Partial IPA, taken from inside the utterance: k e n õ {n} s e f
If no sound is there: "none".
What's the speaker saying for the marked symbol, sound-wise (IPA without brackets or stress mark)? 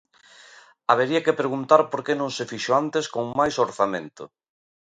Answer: ŋ